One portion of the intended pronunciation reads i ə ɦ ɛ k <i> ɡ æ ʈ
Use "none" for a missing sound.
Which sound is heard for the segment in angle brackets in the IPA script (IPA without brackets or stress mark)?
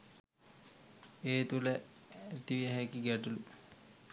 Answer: i